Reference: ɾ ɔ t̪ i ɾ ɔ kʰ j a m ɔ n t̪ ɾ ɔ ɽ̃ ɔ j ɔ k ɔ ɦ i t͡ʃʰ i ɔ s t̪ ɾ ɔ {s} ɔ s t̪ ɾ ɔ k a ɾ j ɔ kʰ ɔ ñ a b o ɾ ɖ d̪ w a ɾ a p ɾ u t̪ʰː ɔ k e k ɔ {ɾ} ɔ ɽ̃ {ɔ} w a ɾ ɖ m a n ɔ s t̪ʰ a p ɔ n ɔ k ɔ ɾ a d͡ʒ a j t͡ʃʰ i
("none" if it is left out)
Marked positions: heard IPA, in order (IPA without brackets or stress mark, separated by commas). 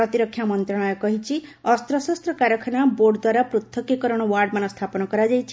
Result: s, ɾ, ɔ